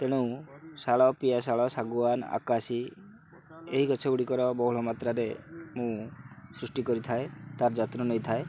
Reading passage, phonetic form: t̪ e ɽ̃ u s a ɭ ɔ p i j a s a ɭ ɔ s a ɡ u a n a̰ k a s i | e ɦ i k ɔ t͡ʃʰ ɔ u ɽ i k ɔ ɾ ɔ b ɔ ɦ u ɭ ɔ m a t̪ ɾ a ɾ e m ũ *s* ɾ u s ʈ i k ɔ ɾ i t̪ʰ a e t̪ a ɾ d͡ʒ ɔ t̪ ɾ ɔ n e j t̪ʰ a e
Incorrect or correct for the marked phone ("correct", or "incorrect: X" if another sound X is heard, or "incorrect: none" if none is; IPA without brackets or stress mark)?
correct